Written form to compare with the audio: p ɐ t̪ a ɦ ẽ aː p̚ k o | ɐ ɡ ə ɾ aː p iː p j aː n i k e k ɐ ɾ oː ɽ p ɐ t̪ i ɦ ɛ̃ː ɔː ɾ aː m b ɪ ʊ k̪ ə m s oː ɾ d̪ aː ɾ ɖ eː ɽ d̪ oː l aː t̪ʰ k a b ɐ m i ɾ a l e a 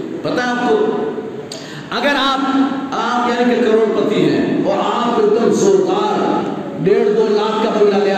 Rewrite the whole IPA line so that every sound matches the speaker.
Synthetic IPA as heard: p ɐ t̪ a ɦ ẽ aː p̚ k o | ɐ ɡ ə ɾ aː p aː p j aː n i k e k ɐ ɾ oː ɽ p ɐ t̪ i ɦ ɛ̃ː ɔː ɾ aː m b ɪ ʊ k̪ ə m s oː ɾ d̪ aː ɾ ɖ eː ɽ d̪ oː l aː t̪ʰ k a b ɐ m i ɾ a l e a